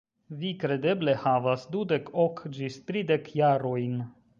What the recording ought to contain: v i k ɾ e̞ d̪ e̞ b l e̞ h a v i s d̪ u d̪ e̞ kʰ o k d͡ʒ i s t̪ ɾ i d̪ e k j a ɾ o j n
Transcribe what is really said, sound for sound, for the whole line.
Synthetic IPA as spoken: v i k ɾ e̞ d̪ e̞ b l e̞ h a v a s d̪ u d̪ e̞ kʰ o k d͡ʒ i s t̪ ɾ i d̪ e k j a ɾ o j n